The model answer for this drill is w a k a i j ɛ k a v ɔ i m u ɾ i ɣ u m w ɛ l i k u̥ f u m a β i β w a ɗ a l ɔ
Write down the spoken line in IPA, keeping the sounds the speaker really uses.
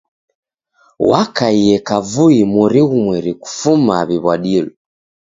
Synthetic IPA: w a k a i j ɛ k a v u i m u ɾ i ɣ u m w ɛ ɾ i k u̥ f u m a β i β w a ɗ i l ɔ